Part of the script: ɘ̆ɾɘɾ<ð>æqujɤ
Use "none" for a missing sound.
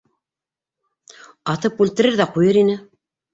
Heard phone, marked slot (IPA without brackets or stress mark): ð